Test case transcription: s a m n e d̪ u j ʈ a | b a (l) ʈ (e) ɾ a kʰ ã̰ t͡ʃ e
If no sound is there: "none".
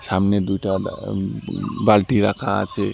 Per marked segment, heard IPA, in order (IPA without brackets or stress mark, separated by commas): l, i